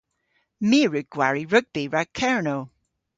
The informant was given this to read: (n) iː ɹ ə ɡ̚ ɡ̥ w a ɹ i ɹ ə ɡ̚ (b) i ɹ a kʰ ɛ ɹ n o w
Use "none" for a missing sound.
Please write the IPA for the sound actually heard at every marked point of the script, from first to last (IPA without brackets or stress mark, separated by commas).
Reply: m, b